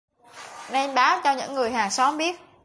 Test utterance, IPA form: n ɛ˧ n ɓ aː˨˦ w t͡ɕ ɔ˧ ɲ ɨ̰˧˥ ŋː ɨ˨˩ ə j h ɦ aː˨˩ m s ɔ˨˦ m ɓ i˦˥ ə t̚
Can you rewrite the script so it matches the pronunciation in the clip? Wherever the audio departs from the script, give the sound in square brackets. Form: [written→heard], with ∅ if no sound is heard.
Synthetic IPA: n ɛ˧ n ɓ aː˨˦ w t͡ɕ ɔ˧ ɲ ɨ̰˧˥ ŋː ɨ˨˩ ə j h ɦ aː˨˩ [m→ŋ] s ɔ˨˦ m ɓ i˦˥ ə t̚